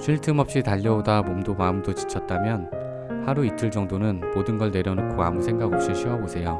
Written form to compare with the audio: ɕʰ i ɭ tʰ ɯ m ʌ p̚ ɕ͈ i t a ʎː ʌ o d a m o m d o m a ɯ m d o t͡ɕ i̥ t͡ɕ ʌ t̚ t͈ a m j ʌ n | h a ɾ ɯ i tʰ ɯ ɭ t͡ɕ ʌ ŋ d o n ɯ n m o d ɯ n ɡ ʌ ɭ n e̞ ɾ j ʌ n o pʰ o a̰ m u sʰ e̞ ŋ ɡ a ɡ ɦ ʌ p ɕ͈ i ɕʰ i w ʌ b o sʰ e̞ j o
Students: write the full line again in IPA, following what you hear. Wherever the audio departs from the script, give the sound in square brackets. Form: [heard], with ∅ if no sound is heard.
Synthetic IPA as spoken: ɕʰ i ɭ tʰ ɯ m ʌ p̚ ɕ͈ i t a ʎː ʌ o d a m o m d o m a ɯ m d o t͡ɕ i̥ [t͡ɕʰ] ʌ t̚ t͈ a m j ʌ n | h a ɾ [u] i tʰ ɯ ɭ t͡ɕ ʌ ŋ d o n ɯ n m o d ɯ n ɡ ʌ ɭ n e̞ ɾ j ʌ n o [kʰ] o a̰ m u sʰ e̞ ŋ ɡ a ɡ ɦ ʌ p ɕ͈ i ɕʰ i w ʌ b o sʰ e̞ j o